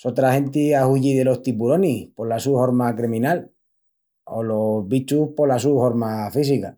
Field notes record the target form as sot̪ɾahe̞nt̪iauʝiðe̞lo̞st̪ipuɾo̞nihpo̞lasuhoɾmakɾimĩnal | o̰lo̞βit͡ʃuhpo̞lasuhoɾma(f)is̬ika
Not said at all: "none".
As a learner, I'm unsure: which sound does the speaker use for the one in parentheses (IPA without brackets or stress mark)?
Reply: f